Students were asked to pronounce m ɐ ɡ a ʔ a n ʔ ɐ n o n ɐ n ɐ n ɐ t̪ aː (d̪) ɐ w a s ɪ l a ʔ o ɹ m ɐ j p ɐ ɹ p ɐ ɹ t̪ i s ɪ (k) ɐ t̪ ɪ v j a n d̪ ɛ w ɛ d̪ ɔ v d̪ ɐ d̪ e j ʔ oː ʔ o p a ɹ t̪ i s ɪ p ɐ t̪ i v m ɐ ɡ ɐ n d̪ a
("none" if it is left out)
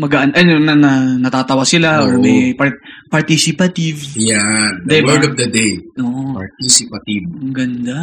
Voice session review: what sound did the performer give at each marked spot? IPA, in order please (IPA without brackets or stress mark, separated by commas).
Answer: t̪, p